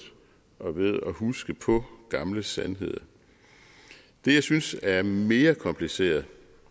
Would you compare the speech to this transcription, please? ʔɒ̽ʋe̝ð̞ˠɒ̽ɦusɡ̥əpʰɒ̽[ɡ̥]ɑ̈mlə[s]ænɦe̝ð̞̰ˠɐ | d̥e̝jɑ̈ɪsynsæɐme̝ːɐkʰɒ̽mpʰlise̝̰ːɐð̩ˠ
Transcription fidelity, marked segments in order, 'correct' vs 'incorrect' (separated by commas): correct, correct